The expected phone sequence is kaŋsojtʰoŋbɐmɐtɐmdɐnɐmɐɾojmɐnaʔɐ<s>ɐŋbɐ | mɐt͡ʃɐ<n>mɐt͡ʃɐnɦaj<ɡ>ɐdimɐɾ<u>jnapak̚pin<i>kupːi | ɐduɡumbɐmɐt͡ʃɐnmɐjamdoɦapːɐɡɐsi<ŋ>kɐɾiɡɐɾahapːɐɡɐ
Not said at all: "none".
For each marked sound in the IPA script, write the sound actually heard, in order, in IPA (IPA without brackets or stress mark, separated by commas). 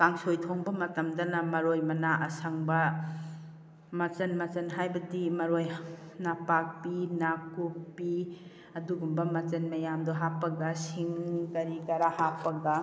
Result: s, n, b, o, a, ŋ